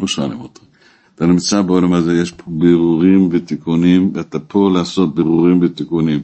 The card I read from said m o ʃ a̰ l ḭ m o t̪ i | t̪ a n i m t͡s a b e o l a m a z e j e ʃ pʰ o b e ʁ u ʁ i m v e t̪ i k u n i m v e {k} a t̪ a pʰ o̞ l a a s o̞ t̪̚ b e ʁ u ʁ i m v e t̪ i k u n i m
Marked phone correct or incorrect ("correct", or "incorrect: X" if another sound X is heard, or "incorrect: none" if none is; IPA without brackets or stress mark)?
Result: incorrect: none